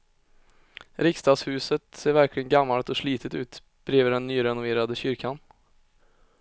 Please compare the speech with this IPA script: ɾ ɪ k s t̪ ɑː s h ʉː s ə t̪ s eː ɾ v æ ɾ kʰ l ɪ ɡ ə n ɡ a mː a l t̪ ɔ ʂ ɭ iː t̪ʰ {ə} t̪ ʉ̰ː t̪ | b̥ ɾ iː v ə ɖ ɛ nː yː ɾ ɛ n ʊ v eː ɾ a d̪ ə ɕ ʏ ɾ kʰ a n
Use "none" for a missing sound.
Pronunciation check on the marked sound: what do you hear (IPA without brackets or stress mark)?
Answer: ə